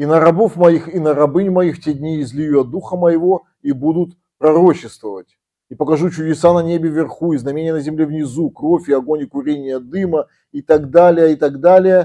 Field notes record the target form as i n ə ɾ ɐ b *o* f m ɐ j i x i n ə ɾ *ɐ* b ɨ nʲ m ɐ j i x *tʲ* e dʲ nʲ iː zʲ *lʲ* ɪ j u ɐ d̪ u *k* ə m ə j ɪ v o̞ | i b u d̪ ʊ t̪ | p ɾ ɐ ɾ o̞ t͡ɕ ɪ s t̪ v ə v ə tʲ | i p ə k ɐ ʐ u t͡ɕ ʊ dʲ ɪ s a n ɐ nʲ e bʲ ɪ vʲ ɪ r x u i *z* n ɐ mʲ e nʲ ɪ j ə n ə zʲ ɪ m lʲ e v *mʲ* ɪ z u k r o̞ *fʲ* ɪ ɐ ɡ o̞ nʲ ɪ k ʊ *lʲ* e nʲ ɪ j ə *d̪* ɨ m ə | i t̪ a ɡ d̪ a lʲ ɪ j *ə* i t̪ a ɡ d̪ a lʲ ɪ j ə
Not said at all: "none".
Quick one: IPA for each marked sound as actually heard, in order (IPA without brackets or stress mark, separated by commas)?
o, ɐ, tʲ, lʲ, x, z, nʲ, fʲ, ɾʲ, d̪, ə